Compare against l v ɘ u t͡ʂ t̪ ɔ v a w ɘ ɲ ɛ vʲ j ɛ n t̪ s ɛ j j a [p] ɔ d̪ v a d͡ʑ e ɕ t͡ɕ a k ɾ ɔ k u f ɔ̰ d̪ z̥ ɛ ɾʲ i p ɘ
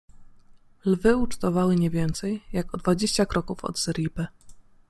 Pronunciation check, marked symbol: incorrect: k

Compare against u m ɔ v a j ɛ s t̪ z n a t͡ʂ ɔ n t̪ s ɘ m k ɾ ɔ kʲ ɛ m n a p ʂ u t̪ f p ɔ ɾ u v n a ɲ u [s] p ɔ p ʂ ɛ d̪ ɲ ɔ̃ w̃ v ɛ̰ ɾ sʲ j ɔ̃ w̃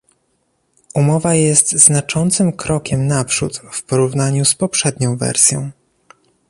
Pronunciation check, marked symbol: correct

